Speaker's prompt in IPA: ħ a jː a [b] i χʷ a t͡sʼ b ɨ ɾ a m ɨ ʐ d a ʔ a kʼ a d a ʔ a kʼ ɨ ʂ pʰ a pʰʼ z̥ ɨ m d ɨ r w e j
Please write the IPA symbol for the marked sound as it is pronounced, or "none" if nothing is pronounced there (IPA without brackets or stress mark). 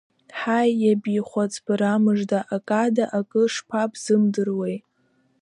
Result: b